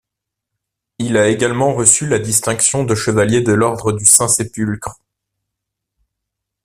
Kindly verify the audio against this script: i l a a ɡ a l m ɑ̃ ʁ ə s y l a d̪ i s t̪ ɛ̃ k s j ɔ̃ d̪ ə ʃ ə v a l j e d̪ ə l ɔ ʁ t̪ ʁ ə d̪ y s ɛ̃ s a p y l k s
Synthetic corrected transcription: i l a e ɡ a l m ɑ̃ ʁ ə s y l a d̪ i s t̪ ɛ̃ k s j ɔ̃ d̪ ə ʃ ə v a l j e d̪ ə l ɔ ʁ d̪ ʁ ə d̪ y s ɛ̃ s e p y l k χ